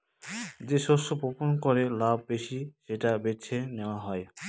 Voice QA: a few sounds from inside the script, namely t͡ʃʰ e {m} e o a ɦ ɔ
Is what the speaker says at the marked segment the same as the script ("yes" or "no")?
no